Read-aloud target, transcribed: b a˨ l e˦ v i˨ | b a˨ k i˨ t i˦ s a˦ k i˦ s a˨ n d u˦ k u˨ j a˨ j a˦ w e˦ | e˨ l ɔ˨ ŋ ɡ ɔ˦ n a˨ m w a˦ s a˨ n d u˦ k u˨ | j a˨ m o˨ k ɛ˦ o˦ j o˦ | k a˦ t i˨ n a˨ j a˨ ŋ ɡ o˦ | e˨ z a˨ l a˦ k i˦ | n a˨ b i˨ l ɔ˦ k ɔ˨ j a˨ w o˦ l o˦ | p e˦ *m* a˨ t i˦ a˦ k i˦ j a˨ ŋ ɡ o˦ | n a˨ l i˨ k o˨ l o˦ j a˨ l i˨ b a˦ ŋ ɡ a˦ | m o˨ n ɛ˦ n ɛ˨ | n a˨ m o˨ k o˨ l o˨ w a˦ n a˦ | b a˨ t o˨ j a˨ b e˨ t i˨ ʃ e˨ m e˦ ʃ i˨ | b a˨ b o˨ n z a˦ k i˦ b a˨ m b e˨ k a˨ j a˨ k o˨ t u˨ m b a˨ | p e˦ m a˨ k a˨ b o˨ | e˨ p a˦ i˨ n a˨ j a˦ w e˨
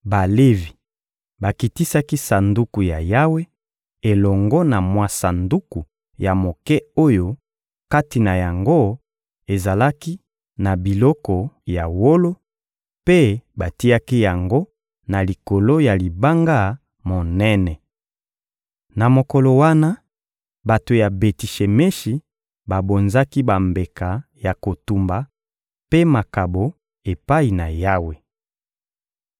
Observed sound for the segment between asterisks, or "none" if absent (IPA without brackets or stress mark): b